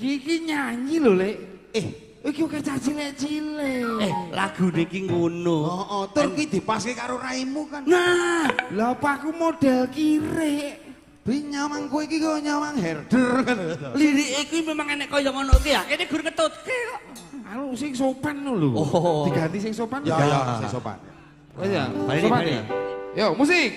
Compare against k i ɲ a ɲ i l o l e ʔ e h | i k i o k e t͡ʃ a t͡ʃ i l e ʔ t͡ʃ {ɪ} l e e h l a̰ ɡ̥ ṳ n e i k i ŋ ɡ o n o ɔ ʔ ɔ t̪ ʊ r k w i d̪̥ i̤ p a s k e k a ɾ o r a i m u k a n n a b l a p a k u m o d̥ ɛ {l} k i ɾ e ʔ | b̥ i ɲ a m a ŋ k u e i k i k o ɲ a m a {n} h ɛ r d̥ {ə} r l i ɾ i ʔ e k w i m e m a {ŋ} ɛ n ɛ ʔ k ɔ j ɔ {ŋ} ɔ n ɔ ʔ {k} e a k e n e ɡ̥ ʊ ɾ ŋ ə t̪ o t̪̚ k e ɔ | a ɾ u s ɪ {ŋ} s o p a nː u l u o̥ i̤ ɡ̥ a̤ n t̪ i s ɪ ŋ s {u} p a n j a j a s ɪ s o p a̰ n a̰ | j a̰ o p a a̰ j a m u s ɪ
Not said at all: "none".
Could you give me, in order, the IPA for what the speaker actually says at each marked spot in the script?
i, l, ŋ, ə, ŋ, ŋ, k, ŋ, o

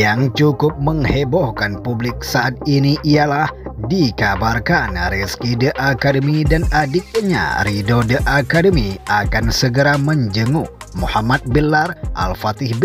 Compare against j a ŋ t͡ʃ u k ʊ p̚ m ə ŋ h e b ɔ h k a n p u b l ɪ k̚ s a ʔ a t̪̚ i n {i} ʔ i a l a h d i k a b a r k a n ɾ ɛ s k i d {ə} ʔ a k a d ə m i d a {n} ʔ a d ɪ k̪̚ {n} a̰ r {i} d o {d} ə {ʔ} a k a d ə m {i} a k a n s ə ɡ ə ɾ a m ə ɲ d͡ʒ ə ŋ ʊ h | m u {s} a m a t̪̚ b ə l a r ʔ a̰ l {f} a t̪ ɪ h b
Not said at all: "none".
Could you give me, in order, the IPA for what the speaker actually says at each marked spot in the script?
i, ə, n, ɲ, i, d, ʔ, i, h, f

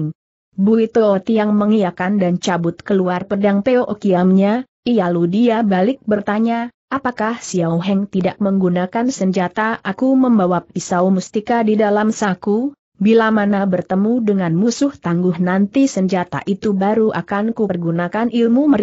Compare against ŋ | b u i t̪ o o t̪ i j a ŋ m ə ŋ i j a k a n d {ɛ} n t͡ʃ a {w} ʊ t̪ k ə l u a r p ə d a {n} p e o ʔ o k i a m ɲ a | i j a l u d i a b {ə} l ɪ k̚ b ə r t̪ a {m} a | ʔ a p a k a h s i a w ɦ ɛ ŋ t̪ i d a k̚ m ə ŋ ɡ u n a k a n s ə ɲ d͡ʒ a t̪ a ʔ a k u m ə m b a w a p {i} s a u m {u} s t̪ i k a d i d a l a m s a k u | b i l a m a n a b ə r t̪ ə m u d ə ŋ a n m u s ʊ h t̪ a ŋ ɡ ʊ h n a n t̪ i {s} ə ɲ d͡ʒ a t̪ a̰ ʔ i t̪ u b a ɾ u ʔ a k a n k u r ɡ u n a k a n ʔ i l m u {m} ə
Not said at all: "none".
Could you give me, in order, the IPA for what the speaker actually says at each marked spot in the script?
a, b, ŋ, a, ɲ, i, u, s, m

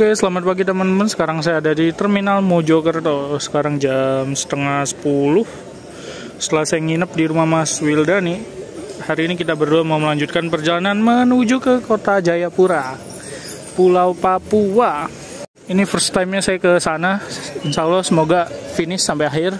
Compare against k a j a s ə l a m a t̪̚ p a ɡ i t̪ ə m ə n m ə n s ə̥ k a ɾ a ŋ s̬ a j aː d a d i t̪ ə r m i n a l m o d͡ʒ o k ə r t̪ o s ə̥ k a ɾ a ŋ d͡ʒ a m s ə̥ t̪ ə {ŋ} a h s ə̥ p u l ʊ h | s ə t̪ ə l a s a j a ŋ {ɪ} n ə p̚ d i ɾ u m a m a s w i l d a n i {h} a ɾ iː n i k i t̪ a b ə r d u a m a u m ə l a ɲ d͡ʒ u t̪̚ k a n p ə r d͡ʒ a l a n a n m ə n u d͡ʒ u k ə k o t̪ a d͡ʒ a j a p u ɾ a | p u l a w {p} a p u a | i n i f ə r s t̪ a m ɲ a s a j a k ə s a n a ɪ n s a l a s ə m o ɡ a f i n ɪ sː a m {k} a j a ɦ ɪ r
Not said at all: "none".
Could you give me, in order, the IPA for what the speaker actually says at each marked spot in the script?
ŋ, i, h, p, p

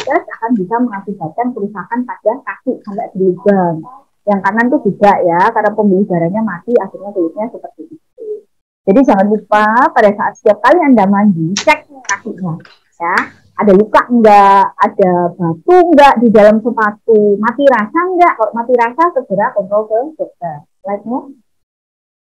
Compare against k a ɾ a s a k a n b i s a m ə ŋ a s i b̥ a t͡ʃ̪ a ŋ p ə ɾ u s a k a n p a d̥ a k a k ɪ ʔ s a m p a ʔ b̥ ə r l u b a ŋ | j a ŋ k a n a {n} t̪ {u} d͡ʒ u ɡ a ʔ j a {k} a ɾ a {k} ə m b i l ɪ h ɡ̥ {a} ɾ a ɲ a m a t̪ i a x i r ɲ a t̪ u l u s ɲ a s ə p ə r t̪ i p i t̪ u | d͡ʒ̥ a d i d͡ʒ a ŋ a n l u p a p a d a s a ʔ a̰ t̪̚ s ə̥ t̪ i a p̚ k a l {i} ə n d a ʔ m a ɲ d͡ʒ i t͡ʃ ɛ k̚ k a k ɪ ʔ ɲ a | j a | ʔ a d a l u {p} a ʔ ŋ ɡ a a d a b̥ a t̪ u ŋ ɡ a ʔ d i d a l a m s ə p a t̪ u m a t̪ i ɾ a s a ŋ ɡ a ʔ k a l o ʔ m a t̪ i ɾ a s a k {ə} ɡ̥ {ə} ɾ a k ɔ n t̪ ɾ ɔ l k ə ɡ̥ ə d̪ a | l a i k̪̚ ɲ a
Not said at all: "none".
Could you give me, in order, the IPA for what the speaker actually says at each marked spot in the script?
n, u, k, p, a, i, k, ə, ə

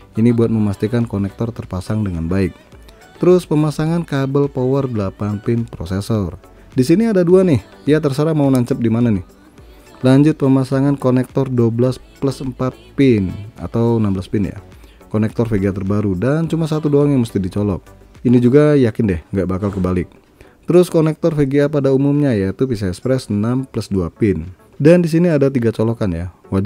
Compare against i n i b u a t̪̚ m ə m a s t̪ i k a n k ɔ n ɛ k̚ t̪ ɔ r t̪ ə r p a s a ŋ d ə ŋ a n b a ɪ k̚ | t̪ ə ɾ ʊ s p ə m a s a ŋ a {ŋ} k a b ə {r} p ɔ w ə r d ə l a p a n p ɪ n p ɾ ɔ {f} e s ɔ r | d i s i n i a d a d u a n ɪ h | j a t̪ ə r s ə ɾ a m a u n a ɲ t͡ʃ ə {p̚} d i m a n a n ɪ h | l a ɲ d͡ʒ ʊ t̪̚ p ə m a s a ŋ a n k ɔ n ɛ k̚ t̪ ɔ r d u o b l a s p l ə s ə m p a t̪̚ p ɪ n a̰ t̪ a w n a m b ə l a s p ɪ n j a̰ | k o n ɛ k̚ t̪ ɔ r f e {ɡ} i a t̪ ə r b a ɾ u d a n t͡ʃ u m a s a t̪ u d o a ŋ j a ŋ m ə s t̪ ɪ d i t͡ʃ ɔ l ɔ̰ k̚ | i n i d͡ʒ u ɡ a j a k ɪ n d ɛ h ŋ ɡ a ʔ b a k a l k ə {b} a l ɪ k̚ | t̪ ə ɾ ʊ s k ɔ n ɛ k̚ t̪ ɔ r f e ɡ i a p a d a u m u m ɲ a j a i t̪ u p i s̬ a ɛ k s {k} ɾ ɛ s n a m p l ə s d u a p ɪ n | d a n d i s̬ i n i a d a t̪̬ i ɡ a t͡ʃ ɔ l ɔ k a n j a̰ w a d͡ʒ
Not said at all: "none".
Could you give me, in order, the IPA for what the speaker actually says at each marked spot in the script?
n, l, s, p̚, ɡ, b, p

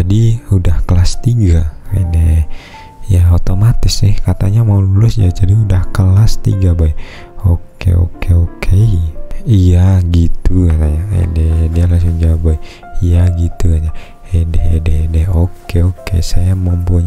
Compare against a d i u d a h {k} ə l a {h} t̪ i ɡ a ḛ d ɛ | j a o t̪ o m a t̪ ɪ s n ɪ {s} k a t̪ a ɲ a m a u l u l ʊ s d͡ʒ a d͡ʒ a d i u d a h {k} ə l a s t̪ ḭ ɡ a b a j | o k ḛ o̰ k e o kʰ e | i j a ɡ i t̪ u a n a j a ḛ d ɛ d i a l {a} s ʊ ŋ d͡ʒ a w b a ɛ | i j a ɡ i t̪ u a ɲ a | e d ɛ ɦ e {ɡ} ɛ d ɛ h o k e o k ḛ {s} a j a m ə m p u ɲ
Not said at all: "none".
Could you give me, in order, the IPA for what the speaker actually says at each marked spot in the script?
k, s, h, k, a, d, s

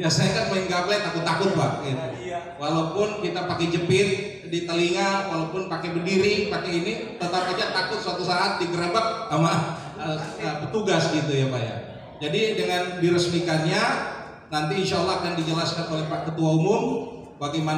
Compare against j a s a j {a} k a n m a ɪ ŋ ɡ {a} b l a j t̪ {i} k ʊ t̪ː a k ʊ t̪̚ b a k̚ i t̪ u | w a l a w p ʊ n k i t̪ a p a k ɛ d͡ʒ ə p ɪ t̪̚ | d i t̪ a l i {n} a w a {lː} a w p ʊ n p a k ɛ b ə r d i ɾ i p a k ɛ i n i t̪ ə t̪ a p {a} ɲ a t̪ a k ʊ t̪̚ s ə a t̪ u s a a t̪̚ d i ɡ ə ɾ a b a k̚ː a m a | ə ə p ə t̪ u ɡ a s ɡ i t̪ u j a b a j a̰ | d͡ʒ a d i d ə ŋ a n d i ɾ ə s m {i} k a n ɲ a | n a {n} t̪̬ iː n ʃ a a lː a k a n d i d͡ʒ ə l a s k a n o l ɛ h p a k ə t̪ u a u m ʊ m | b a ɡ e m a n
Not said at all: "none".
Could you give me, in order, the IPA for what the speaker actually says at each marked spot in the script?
a, a, a, ŋ, l, a, i, n

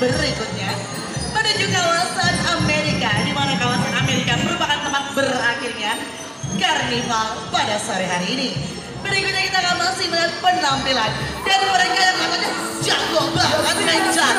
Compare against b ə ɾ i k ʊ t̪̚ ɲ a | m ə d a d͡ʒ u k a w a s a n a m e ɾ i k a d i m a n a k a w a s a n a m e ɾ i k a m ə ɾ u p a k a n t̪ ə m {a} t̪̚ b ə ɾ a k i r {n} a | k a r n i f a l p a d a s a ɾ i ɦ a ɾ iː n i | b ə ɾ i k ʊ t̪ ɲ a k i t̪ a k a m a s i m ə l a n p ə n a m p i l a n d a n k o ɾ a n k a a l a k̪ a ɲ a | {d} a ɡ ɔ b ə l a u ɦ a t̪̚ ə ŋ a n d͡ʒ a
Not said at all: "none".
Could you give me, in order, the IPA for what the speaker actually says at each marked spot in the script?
a, ɲ, d͡ʒ

